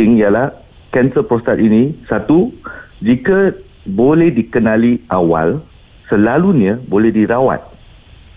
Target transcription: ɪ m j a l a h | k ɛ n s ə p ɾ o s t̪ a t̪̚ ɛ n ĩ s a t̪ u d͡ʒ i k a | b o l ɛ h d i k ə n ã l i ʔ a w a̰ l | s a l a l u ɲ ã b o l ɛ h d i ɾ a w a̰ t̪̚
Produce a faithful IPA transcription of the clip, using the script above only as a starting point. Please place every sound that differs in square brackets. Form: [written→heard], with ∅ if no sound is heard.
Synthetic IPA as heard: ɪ [m→ŋ] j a l a h | k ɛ n s ə p ɾ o s t̪ a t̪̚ [ɛ→i] n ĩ s a t̪ u d͡ʒ i k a | b o l ɛ h d i k ə n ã l i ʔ a w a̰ l | s [a→ə] l a l u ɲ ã b o l ɛ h d i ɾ a w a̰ t̪̚